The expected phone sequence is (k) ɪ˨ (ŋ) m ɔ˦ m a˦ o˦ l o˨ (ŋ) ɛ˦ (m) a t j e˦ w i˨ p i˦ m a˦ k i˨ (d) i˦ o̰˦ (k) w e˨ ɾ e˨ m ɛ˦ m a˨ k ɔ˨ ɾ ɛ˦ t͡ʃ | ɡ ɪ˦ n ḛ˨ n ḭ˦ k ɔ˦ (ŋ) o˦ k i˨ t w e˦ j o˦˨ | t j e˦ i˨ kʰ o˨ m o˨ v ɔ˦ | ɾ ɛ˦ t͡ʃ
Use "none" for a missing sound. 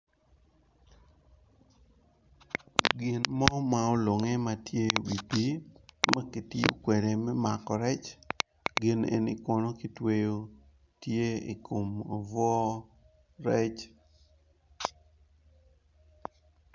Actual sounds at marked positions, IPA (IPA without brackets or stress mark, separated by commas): ɡ, n, ŋ, m, t, k, n